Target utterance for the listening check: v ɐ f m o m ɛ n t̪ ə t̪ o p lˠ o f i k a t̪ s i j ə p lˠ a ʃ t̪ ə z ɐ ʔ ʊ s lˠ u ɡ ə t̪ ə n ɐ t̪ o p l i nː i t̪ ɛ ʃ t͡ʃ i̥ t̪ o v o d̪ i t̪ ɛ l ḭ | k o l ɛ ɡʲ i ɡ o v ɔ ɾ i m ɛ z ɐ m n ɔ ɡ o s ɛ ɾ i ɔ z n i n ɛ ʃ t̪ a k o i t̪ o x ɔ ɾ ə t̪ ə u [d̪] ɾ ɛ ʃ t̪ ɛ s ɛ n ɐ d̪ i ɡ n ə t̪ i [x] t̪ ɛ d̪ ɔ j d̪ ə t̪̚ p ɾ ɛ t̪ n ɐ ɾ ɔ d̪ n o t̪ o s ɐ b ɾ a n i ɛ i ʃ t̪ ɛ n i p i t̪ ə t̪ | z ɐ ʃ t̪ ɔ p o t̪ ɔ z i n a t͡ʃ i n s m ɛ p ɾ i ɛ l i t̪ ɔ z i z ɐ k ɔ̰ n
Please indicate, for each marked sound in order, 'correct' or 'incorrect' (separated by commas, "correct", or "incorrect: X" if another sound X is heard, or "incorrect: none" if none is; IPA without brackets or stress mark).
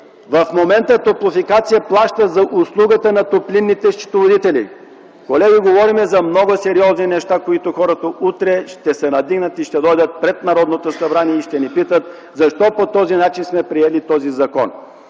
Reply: incorrect: t̪, incorrect: ʃ